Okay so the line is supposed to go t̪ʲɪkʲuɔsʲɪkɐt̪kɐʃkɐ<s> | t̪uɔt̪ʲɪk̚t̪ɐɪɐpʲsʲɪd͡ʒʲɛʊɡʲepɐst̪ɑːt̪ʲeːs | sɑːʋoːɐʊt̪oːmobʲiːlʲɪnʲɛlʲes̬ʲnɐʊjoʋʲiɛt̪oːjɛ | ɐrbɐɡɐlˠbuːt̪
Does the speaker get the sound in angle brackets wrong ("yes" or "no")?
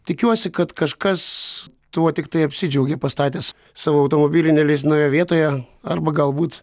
no